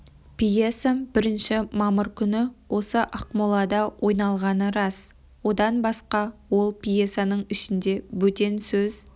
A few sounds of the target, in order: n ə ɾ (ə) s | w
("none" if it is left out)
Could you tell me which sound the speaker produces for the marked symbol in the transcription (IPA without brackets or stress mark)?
ɑ